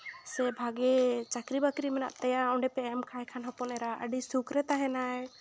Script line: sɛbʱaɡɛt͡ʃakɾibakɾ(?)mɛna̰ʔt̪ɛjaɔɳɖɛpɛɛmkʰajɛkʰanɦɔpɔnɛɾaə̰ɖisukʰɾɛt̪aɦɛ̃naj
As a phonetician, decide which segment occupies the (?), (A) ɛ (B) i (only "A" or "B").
B